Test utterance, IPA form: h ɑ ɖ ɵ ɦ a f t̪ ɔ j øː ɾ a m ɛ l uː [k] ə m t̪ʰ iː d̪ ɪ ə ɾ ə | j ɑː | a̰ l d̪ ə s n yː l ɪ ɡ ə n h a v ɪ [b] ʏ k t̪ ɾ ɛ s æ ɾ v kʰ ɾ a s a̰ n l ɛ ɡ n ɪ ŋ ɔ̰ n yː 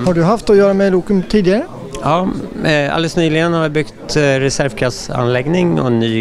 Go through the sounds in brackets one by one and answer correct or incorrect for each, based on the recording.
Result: correct, correct

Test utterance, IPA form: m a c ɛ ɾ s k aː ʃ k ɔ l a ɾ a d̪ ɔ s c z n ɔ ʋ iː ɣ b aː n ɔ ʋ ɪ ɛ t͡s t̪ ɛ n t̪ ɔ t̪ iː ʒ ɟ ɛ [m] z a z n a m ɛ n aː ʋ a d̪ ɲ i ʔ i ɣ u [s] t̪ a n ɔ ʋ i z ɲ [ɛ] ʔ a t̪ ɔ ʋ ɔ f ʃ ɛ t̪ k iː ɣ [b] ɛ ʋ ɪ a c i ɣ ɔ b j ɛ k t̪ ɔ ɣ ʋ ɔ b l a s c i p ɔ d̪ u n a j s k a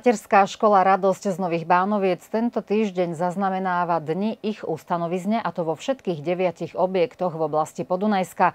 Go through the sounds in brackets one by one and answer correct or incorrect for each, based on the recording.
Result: incorrect, correct, correct, incorrect

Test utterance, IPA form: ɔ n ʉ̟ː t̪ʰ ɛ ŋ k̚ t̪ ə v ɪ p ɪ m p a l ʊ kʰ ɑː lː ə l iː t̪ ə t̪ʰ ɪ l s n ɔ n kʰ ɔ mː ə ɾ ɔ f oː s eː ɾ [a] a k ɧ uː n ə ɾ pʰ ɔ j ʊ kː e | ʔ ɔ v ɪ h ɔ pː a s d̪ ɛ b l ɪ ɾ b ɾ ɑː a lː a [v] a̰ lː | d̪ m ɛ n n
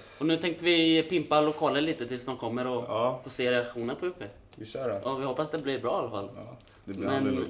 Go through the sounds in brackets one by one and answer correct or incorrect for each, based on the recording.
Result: incorrect, incorrect

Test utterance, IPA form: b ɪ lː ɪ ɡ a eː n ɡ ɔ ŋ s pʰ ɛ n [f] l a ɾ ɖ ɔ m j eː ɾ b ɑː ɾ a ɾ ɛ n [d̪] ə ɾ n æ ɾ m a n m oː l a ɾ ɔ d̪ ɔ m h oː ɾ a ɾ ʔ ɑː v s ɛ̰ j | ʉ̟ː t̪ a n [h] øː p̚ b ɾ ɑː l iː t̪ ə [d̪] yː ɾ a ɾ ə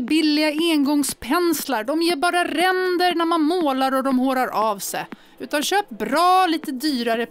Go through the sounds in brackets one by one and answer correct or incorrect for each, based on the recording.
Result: incorrect, correct, incorrect, correct

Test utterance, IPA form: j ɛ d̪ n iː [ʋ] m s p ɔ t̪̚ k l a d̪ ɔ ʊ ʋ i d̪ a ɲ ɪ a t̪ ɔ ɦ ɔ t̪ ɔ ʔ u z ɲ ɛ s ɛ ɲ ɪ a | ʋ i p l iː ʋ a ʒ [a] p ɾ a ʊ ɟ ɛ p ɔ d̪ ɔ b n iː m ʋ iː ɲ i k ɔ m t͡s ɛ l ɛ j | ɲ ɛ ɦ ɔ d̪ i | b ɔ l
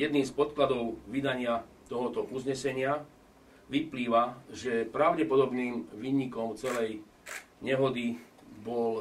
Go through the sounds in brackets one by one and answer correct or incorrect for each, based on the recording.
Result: incorrect, incorrect

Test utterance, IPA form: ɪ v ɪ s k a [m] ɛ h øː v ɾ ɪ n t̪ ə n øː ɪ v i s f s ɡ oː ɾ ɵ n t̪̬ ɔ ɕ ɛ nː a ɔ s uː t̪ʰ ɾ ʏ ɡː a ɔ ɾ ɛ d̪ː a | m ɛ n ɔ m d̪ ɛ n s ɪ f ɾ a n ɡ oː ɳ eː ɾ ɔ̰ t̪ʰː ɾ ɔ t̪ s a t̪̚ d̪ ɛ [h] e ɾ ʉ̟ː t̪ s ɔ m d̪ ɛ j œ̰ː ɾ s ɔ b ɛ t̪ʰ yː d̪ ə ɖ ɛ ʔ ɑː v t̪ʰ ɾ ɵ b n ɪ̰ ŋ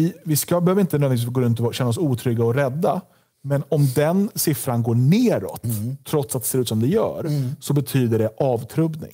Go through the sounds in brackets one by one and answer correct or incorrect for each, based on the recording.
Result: incorrect, incorrect

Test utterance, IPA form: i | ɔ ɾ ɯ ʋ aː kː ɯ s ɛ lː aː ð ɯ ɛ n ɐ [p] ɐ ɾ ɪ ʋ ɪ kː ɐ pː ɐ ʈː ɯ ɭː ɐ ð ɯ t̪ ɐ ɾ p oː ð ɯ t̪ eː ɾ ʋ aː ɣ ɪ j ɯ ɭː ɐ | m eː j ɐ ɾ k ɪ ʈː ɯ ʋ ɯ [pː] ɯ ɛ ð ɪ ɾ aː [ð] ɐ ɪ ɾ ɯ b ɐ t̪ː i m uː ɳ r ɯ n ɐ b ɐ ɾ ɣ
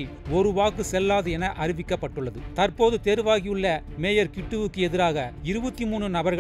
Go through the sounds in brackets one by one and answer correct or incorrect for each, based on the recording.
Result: incorrect, incorrect, incorrect

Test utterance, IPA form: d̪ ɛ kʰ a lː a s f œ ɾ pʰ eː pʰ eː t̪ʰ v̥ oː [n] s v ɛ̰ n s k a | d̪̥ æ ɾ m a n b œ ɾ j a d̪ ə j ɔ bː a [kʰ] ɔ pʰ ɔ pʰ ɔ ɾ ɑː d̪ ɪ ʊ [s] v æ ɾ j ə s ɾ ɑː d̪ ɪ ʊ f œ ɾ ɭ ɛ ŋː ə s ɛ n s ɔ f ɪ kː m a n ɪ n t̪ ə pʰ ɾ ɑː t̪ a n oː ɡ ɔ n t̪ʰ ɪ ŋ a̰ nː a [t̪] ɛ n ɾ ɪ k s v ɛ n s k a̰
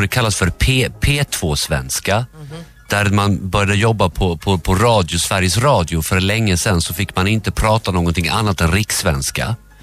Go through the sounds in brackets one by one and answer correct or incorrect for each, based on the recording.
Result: incorrect, incorrect, correct, correct

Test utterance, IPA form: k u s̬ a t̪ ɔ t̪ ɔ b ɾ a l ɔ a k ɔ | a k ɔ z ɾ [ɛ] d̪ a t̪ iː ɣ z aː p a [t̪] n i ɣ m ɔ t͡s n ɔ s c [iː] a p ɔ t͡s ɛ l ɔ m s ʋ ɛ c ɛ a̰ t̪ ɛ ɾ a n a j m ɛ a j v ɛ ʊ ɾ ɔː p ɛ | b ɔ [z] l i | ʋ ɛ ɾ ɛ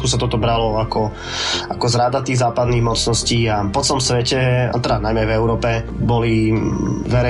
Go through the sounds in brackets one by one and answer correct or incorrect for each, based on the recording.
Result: incorrect, incorrect, correct, incorrect

